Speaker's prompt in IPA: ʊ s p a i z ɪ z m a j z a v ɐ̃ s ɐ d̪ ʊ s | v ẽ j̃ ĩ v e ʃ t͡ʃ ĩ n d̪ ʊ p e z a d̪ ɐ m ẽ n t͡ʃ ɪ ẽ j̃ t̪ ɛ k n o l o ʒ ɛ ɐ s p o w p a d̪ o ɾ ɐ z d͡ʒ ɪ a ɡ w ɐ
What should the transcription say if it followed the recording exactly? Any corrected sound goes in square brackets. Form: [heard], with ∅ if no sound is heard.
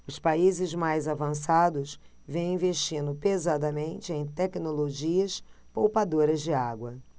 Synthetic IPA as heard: ʊ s p a i z ɪ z m a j z a v ɐ̃ s [a] d̪ ʊ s | v ẽ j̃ ĩ v e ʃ t͡ʃ ĩ n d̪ ʊ p e z a d̪ ɐ m ẽ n t͡ʃ ɪ ẽ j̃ t̪ ɛ k n o l o ʒ [i] ɐ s p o w p a d̪ o ɾ ɐ z d͡ʒ ɪ a ɡ w ɐ